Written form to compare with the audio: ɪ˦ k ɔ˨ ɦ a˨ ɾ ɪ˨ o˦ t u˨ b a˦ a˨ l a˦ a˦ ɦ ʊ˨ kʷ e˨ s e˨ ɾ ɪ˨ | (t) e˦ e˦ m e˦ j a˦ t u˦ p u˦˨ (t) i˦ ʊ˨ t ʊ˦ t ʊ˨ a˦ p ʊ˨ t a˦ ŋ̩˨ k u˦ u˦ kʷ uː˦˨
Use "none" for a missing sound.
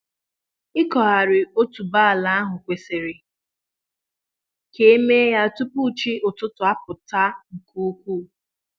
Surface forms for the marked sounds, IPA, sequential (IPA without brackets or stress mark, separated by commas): k, t͡ʃ